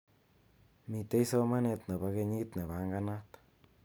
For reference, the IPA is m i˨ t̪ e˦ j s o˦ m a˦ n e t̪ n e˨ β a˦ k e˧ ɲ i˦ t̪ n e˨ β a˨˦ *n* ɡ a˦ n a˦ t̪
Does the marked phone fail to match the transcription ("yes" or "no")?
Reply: yes